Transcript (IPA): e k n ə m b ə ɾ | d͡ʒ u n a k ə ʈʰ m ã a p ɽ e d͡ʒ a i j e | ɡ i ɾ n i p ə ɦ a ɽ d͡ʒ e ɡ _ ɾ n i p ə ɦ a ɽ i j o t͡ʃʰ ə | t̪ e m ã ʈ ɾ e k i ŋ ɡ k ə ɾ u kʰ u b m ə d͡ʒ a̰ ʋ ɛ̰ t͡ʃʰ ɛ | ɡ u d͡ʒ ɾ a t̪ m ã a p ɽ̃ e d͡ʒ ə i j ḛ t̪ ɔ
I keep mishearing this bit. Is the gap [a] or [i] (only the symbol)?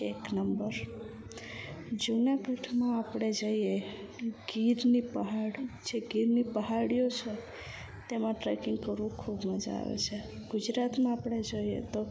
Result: i